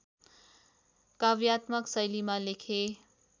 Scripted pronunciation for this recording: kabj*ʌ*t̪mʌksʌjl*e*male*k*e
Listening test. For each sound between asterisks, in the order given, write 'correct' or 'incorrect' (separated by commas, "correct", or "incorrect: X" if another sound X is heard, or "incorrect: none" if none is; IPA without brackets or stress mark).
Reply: incorrect: a, incorrect: i, incorrect: kʰ